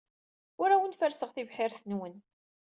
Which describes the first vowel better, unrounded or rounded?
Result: rounded